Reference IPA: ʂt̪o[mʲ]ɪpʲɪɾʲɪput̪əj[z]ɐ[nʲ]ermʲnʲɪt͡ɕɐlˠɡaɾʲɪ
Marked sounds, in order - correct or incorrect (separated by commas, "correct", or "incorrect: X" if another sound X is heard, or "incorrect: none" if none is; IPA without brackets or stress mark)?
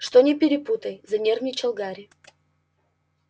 incorrect: nʲ, correct, correct